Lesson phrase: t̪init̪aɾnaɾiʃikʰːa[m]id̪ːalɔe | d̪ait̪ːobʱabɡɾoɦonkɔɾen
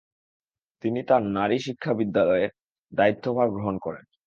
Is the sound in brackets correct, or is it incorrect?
incorrect